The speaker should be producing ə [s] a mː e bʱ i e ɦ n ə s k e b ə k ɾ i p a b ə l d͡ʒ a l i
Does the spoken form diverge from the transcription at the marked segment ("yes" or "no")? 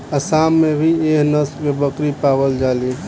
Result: no